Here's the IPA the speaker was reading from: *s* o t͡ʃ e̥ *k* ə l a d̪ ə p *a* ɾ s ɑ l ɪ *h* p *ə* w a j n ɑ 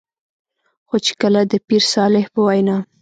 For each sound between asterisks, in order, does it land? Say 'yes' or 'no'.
no, yes, no, yes, yes

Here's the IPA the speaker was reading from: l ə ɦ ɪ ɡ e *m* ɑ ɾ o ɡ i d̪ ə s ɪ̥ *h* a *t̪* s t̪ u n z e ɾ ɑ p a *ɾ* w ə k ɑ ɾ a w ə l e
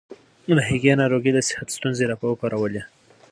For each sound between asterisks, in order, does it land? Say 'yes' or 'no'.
no, yes, yes, no

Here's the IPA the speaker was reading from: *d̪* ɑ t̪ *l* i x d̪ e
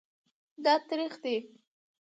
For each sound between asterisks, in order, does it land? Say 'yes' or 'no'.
yes, no

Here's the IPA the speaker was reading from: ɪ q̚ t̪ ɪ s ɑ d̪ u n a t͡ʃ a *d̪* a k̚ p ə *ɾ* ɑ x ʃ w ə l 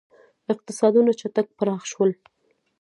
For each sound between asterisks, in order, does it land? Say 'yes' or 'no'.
no, yes

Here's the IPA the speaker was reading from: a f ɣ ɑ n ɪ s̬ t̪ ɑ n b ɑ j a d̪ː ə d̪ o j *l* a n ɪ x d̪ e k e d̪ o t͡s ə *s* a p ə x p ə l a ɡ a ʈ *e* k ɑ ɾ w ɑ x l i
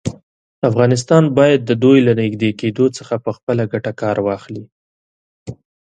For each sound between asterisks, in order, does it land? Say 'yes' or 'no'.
yes, no, no

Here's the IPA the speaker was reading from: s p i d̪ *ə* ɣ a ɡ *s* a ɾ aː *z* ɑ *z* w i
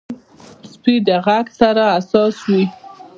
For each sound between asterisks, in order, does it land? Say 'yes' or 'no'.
yes, yes, no, no

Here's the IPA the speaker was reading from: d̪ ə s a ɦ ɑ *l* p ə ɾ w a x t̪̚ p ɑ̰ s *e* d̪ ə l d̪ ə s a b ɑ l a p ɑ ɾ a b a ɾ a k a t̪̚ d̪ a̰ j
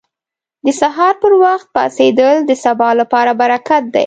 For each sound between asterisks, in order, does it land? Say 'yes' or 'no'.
no, yes

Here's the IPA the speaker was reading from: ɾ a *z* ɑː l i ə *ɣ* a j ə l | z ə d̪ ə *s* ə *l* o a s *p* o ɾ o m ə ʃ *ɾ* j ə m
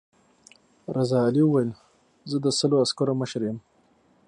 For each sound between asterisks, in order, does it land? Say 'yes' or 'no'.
yes, no, yes, yes, no, yes

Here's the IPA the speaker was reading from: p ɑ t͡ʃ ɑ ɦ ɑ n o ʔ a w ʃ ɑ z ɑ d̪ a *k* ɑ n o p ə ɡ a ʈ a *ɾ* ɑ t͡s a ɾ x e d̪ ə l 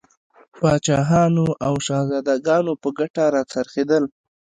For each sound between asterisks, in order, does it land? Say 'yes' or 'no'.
no, yes

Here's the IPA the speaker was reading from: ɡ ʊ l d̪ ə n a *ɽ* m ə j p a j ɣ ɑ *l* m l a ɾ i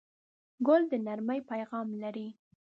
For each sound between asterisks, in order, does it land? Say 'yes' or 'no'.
no, no

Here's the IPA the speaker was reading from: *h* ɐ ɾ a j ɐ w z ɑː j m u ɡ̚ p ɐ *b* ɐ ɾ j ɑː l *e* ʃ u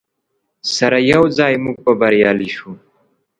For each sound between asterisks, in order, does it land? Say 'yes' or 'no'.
no, yes, no

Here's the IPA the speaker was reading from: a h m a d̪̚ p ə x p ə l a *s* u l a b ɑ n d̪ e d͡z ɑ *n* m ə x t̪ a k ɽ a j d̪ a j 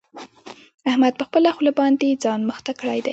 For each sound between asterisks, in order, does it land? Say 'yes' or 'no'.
no, yes

